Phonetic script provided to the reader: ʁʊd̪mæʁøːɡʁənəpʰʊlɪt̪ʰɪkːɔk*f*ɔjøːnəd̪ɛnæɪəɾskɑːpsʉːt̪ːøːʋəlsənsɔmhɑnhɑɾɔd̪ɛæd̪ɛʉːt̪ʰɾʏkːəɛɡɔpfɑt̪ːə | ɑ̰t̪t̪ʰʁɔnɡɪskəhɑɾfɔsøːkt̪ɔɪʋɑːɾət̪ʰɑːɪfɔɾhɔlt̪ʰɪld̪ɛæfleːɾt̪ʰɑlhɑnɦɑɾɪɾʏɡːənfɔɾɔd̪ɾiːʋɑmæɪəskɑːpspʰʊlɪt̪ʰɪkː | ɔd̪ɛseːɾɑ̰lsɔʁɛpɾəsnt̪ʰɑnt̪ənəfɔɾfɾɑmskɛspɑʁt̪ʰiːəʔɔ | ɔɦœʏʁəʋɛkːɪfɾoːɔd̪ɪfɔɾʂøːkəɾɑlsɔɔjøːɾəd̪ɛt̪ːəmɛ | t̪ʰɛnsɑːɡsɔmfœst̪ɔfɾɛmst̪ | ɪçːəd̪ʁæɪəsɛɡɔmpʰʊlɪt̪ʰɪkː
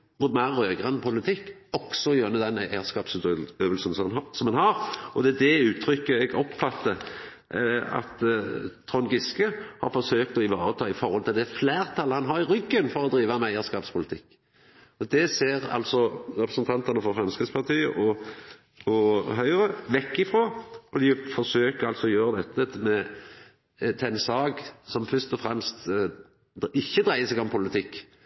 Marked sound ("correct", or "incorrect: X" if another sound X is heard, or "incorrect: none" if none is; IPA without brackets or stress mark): incorrect: s